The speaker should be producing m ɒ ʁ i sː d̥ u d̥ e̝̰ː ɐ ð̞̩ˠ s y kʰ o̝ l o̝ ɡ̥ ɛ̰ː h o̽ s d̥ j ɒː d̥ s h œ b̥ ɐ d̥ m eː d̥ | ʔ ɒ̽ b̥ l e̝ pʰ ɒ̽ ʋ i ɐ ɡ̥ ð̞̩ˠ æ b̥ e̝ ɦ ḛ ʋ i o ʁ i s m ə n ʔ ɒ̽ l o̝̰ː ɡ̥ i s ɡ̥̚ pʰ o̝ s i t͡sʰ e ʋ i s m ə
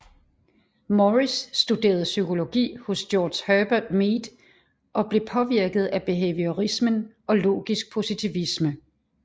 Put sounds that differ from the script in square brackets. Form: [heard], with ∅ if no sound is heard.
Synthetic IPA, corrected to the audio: m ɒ ʁ i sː d̥ u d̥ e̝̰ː ɐ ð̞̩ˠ s y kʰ o̝ l o̝ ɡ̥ [ḭː] h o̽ s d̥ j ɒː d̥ s h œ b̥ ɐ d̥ m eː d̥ | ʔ ɒ̽ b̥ l e̝ pʰ ɒ̽ ʋ i ɐ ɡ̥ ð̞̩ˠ æ b̥ e̝ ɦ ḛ ʋ i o ʁ i s m ə n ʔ ɒ̽ l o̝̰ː ɡ̥ i s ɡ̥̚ pʰ o̝ s i t͡sʰ [i] ʋ i s m ə